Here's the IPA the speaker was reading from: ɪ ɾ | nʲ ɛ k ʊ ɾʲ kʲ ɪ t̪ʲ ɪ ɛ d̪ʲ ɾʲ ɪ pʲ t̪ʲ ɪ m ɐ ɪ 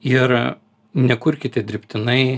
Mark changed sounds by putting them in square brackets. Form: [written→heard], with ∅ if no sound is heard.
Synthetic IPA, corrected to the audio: ɪ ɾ | nʲ ɛ k ʊ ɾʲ kʲ ɪ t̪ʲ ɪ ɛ d̪ʲ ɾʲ ɪ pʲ t̪ʲ ɪ [m→n] ɐ ɪ